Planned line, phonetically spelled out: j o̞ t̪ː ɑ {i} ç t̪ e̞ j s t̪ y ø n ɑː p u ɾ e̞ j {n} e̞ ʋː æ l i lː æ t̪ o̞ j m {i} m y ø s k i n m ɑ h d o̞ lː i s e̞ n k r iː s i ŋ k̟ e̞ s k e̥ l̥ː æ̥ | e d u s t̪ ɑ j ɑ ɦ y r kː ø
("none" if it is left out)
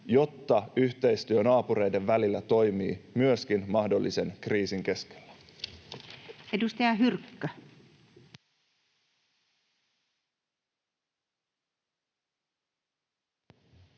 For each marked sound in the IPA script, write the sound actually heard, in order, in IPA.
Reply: y, d, iː

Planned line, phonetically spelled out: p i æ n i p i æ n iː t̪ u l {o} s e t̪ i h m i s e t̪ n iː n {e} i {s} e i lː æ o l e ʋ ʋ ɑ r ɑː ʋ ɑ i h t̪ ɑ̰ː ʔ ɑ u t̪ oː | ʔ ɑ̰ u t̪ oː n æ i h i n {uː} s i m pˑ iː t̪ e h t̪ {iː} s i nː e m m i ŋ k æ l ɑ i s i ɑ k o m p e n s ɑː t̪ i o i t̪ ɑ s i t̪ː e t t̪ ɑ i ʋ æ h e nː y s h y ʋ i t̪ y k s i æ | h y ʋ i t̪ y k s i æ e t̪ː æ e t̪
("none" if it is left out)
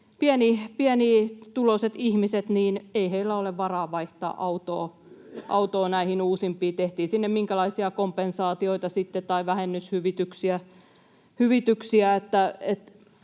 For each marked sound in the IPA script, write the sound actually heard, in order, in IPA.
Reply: o, e, h, uː, iː

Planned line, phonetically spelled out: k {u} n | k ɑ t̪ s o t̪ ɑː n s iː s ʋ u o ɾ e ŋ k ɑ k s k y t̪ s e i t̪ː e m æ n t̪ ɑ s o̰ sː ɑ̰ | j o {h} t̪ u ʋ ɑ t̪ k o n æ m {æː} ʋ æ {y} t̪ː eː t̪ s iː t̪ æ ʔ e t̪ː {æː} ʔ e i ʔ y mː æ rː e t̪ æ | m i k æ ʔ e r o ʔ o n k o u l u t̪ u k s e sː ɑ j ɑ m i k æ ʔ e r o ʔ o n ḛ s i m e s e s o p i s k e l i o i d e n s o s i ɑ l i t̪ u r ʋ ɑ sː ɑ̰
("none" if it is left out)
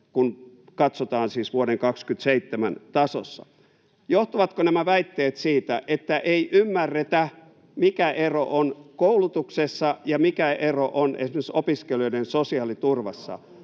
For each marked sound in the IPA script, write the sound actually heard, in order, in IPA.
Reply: u, h, æ, i, æ

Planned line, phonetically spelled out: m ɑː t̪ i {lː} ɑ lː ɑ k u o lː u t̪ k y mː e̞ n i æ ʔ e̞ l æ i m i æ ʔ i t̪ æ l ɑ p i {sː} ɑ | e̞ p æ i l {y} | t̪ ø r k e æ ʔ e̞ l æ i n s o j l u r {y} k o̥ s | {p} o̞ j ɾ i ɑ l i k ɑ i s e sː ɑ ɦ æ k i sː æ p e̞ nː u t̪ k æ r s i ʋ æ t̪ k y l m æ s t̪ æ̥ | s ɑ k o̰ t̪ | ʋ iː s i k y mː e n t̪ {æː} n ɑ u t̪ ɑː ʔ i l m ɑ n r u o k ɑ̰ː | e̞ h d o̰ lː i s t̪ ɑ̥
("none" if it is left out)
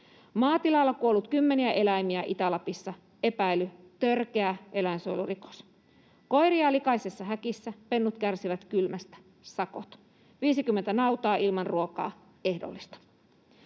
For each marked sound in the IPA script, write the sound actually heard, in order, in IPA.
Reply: l, sː, y, i, k, æ

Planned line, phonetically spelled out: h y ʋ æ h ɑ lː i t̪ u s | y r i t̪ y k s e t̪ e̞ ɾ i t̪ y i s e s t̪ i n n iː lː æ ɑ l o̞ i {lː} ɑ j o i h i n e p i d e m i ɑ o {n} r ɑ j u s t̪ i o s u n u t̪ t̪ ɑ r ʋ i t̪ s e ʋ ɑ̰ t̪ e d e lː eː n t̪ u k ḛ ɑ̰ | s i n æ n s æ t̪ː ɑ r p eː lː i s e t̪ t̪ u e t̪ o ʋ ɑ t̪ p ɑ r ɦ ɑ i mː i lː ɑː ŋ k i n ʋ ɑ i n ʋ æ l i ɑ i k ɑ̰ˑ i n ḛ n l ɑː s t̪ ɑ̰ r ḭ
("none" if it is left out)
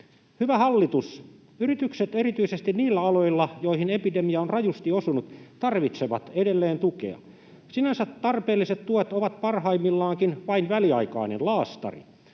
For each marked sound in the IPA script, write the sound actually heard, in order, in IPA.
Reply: lː, n

